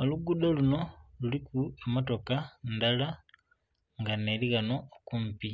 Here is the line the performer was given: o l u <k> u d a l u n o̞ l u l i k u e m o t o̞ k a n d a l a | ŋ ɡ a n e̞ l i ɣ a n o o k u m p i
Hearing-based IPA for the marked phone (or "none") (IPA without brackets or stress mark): ɡ